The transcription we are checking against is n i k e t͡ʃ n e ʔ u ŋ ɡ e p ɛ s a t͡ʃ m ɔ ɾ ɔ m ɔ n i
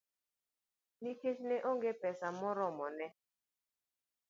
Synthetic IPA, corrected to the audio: n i k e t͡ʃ n e ʔ o ŋ ɡ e p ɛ s a m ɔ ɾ ɔ m ɔ n ɛ